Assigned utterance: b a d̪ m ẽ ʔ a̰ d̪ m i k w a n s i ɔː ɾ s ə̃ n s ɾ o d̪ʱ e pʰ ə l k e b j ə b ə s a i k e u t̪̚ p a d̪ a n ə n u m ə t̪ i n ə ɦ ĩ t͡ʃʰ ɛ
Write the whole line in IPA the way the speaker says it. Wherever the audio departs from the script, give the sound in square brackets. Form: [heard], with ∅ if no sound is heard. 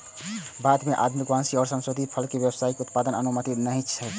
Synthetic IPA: b a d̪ m [e] ʔ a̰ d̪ m i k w a n s i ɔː ɾ s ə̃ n s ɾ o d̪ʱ [i] pʰ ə l k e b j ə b ə s a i k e u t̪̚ p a d̪ [ə] n ə n u m ə t̪ i n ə ɦ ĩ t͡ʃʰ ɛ